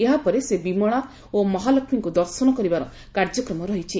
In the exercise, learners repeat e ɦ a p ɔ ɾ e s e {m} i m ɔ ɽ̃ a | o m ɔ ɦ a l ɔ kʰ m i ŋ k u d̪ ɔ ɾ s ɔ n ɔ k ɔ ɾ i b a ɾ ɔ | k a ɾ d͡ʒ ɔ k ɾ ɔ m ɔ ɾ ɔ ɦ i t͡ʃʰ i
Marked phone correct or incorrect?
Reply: incorrect: b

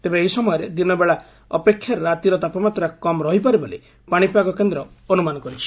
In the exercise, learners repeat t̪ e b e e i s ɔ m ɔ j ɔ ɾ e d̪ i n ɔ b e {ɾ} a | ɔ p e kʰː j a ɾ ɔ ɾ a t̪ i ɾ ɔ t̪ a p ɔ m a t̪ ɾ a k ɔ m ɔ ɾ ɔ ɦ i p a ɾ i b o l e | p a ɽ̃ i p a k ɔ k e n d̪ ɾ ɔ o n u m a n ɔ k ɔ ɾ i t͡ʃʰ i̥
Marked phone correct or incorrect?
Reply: incorrect: ɭ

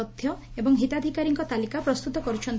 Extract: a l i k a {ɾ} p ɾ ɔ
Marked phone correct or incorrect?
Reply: incorrect: none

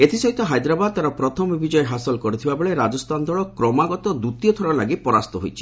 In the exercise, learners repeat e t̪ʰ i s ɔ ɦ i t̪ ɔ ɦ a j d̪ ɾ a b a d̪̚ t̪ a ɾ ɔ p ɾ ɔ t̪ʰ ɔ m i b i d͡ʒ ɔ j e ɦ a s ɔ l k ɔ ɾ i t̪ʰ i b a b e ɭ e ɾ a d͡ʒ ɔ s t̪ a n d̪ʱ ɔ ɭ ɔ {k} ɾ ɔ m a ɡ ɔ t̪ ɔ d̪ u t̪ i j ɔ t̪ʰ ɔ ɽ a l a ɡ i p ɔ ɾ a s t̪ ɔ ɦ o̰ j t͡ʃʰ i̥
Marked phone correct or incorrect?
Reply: correct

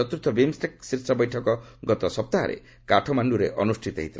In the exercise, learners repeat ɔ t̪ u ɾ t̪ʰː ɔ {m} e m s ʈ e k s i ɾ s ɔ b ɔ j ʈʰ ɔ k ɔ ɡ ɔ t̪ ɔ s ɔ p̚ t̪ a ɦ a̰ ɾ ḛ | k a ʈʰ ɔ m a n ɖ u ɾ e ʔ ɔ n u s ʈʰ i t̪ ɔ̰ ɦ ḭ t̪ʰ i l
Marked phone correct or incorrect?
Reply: incorrect: b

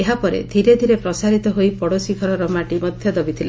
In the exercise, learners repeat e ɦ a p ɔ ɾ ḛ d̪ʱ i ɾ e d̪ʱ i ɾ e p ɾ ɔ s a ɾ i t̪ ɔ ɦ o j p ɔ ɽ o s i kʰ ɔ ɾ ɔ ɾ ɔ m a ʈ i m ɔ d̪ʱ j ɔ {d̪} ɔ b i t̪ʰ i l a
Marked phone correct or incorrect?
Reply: correct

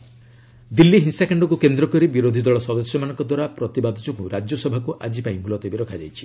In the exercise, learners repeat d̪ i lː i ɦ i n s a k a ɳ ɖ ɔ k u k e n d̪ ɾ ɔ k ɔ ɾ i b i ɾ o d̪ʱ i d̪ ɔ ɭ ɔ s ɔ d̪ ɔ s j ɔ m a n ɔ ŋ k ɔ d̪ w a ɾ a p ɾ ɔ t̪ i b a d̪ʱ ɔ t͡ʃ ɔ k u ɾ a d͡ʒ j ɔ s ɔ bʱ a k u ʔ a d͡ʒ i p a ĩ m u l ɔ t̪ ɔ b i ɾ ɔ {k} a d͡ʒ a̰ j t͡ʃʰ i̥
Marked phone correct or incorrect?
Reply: incorrect: kʰ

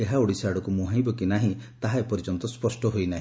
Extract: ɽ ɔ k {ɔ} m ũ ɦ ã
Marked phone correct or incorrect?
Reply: incorrect: u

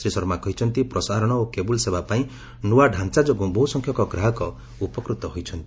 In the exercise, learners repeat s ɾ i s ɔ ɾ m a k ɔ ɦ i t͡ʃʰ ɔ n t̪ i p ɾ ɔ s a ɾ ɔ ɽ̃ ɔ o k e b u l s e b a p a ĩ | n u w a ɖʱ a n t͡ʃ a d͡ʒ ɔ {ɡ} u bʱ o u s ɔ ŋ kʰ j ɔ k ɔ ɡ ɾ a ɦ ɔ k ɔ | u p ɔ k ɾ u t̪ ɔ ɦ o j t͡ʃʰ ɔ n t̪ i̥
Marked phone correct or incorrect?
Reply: correct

